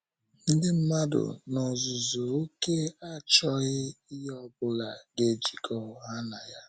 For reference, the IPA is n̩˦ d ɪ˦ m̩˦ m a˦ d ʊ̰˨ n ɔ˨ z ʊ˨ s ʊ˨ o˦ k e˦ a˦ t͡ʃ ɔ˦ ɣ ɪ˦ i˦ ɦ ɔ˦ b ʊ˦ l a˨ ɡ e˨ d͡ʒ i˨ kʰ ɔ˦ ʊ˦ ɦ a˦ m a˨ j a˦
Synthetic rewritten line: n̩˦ d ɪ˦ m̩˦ m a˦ d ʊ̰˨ n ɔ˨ z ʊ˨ z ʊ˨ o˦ k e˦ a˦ t͡ʃ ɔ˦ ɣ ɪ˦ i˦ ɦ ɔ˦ b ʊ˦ l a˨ ɡ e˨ d͡ʒ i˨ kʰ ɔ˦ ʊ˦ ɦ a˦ n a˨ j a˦